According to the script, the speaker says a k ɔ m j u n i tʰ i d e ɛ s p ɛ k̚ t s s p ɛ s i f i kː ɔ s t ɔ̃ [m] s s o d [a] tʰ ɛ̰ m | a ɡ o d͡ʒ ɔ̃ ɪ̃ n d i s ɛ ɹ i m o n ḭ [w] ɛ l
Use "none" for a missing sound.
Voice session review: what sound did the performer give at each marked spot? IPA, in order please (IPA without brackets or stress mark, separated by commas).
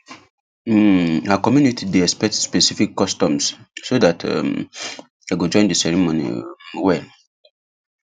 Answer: m, a, w